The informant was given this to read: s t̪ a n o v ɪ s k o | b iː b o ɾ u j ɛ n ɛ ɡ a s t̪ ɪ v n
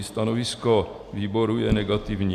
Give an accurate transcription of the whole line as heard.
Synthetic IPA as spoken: s t̪ a n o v ɪ s k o | v iː b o ɾ u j ɛ n ɛ ɡ a t̪ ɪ v ɲ